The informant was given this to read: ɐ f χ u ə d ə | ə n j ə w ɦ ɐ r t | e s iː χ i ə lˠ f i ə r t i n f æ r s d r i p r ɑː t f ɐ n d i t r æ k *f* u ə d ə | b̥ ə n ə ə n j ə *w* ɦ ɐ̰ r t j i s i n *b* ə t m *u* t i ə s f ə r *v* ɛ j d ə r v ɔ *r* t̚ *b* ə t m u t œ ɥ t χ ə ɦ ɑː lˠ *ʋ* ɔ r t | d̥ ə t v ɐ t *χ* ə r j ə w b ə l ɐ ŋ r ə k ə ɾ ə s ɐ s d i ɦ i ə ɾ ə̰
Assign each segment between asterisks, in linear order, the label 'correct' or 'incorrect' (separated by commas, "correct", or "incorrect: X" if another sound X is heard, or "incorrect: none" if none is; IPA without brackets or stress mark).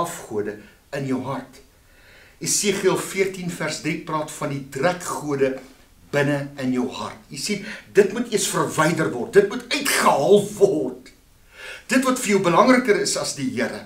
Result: incorrect: χ, correct, incorrect: d, correct, correct, correct, incorrect: d, incorrect: v, incorrect: f